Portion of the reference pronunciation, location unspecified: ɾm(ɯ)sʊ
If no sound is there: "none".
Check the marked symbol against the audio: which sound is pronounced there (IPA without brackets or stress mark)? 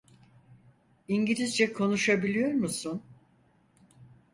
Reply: u